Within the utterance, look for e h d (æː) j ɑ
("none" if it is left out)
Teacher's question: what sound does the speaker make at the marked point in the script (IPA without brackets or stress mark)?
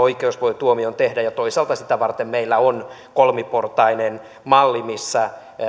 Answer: æ